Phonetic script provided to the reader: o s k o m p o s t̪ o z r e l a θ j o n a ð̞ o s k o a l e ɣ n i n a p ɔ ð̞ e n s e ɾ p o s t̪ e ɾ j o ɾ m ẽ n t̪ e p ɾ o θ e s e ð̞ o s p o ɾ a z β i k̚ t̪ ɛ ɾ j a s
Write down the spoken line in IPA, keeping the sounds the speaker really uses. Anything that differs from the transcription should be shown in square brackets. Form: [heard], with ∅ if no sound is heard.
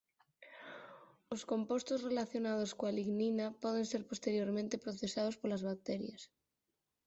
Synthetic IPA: o s k o m p o s t̪ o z r e l a θ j o n a ð̞ o s k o a l [i] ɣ n i n a p ɔ ð̞ e n s e ɾ p o s t̪ e ɾ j o ɾ m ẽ n t̪ e p ɾ o θ e s [a] ð̞ o s p o [l] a z β [a] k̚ t̪ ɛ ɾ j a s

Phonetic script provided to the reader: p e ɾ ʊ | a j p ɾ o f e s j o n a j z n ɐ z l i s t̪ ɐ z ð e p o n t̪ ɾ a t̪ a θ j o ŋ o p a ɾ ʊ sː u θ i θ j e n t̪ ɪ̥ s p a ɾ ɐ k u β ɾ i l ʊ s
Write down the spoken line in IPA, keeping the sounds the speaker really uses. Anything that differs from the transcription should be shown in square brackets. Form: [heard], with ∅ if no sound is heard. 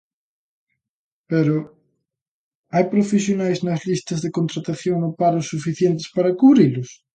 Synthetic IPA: p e ɾ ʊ | a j p ɾ o f e s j o n a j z n ɐ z l i s t̪ ɐ z ð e [k] o n t̪ ɾ a t̪ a θ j o ŋ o p a ɾ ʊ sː u [f] i θ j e n t̪ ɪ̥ s p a ɾ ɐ k u β ɾ i l ʊ s

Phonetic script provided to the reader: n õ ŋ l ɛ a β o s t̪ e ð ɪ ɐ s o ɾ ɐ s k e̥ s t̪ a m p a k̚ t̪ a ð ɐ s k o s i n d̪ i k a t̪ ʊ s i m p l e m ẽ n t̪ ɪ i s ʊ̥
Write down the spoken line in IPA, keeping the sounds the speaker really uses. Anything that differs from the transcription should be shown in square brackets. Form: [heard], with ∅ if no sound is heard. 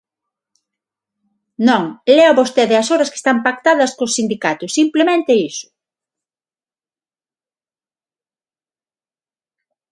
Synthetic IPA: n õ ŋ l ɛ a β o s t̪ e ð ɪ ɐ s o ɾ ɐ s k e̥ s t̪ a m p a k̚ t̪ a ð ɐ s k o s i n d̪ i k a t̪ ʊ s i m p l e m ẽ n t̪ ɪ i s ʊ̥

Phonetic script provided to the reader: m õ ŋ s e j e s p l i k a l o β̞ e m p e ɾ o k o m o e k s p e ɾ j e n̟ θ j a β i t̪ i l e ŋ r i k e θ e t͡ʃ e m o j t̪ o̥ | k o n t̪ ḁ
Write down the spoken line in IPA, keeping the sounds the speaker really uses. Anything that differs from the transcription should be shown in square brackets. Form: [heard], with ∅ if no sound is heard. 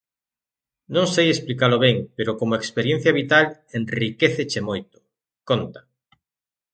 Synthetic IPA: [n] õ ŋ s e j e s p l i k a l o β̞ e [ŋ] p e ɾ o k o m o e k s p e ɾ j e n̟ θ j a β i t̪ [a] l e [n] r i k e θ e t͡ʃ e m o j t̪ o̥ | k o n t̪ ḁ

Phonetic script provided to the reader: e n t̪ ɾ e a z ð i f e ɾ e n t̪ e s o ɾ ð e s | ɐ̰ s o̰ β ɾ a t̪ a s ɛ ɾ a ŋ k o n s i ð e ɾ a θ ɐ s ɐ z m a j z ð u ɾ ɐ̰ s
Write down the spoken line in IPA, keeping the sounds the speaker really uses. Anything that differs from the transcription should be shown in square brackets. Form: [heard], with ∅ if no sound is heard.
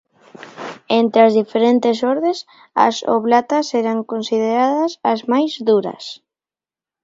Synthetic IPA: e n t̪ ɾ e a z ð i f e ɾ e n t̪ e s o ɾ ð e s | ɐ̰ s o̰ β [l] a t̪ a s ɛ ɾ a ŋ k o n s i ð e ɾ a [ð] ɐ s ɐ z m a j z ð u ɾ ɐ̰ s

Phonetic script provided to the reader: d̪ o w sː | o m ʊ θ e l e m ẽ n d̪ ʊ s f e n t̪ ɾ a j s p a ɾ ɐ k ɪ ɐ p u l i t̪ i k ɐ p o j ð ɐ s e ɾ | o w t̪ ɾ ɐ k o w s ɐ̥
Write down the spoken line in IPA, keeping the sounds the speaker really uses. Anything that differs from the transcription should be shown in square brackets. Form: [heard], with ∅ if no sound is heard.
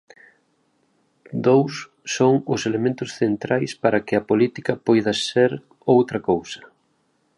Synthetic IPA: d̪ o w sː | o [ŋ] ʊ [s] e l e m ẽ n [t̪] ʊ s [θ] e n t̪ ɾ a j s p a ɾ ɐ k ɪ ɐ p [o] l i t̪ i k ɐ p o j ð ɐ s e ɾ | o w t̪ ɾ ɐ k o w s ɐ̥

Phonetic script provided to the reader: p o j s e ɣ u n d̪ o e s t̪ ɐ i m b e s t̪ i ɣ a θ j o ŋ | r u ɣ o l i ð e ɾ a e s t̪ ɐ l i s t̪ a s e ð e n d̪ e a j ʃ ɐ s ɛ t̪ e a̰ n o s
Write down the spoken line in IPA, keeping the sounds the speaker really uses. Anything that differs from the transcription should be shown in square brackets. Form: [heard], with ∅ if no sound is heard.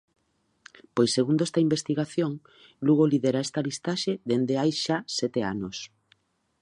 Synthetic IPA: p o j s e ɣ u n d̪ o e s t̪ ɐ i m b e s t̪ i ɣ a θ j o ŋ | [l] u ɣ o l i ð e ɾ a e s t̪ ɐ l i s t̪ a [ʃ] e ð e n d̪ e a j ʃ [a] s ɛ t̪ e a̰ n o s

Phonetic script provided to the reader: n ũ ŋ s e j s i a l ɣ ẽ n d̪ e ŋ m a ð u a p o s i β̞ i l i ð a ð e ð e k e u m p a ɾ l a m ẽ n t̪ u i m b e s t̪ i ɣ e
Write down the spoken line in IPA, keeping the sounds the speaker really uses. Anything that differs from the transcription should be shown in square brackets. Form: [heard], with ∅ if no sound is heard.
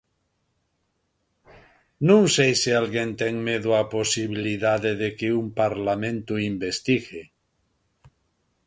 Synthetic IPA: n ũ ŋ s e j s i a l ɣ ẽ n [t̪] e ŋ m [e] ð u a p o s i β̞ i l i ð a ð e ð e k e u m p a ɾ l a m ẽ n t̪ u i m b e s t̪ i ɣ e

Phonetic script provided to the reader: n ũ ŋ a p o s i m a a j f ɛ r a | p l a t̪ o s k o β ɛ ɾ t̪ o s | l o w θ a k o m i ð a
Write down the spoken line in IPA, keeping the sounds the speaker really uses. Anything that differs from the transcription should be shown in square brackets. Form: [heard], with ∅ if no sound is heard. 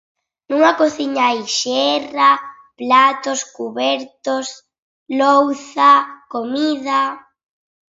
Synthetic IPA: n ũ ŋ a [k] o [θ] i [ɲ] a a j [ʃ] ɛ r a | p l a t̪ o s k [u] β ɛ ɾ t̪ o s | l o w θ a k o m i ð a

